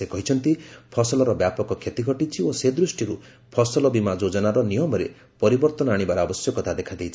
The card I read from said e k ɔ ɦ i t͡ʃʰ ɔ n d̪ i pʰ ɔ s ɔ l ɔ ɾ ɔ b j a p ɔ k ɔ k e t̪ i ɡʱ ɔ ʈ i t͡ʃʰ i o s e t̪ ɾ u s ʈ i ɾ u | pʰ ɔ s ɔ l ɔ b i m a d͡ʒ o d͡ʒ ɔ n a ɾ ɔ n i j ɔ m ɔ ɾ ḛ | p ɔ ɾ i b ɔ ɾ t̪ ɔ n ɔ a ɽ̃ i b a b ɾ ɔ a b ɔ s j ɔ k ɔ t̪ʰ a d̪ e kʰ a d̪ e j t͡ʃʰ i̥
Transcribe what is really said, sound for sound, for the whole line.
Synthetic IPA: e k ɔ ɦ i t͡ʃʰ ɔ n t̪ i pʰ ɔ s ɔ l ɔ ɾ ɔ b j a p ɔ k ɔ kʰ e t̪ i ɡʱ ɔ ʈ i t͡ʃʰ i o s e d̪ ɾ u s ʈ i ɾ u | pʰ ɔ s ɔ l ɔ b i m a d͡ʒ o d͡ʒ ɔ n a ɾ ɔ n i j ɔ m ɔ ɾ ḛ | p ɔ ɾ i b ɔ ɾ t̪ ɔ n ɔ a ɽ̃ i b a ɾ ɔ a b ɔ s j ɔ k ɔ t̪ʰ a d̪ e kʰ a d̪ e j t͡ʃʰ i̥